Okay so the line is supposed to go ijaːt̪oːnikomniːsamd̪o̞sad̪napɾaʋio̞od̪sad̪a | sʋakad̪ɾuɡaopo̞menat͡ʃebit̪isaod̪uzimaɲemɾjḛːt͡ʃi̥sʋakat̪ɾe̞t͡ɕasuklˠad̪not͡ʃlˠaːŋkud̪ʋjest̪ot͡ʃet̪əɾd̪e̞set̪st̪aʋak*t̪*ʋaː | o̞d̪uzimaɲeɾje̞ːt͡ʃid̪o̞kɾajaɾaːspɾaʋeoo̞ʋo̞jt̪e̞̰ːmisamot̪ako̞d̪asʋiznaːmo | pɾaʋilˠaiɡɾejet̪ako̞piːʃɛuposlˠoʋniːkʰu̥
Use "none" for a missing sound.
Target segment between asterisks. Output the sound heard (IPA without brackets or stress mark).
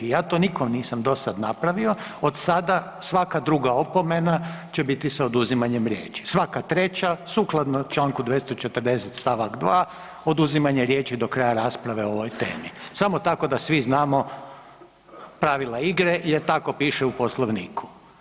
d̪